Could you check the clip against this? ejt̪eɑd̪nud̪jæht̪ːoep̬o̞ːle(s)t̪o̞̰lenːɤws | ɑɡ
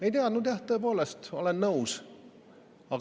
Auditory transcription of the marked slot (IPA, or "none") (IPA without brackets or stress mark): s